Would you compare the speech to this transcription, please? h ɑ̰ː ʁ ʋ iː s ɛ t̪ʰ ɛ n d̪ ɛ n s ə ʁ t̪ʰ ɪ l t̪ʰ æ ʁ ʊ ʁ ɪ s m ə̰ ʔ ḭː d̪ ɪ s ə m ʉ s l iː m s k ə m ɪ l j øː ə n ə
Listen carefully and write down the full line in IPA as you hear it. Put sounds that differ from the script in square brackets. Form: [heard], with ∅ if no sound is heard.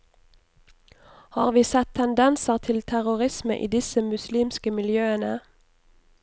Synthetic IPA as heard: h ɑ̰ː ʁ ʋ iː s ɛ t̪ʰ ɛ n d̪ ɛ n s ə ʁ t̪ʰ ɪ l t̪ʰ æ ʁ ʊ ʁ ɪ s m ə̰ ʔ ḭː d̪ ɪ s ə m ʉ s l iː m s k ə m ɪ l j øː ə n ə